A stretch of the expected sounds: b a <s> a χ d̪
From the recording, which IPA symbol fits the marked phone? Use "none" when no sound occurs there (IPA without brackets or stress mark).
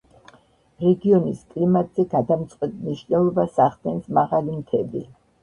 s